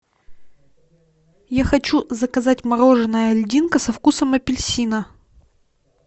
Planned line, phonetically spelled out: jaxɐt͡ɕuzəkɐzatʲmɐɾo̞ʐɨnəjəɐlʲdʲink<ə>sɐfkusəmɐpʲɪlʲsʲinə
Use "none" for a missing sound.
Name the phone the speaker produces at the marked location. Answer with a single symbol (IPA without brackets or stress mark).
ə